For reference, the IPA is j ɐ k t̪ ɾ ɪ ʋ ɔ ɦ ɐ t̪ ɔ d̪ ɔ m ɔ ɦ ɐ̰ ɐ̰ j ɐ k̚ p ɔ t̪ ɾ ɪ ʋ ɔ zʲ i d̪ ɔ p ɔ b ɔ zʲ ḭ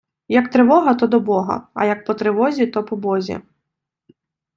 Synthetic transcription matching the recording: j ɐ k t̪ ɾ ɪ ʋ ɔ ɦ ɐ t̪ ɔ d̪ ɔ b ɔ ɦ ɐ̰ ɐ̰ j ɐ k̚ p ɔ t̪ ɾ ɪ ʋ ɔ zʲ i t̪ ɔ p ɔ b ɔ zʲ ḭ